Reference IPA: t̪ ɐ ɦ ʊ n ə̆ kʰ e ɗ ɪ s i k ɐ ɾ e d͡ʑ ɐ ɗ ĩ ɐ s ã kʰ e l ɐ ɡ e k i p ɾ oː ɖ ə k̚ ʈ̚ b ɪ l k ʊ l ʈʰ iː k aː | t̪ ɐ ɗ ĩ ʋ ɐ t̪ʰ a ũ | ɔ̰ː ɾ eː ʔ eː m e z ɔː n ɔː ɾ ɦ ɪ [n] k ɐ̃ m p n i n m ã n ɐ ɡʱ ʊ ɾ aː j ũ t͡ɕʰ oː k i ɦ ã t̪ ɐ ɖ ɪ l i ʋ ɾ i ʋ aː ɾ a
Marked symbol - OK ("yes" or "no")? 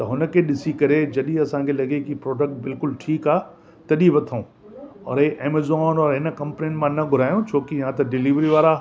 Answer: yes